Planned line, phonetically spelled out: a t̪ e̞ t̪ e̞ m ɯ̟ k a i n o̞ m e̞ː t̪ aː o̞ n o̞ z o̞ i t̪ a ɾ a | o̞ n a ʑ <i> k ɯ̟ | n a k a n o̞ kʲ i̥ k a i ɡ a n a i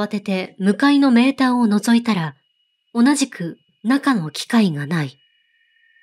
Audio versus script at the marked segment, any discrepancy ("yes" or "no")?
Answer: no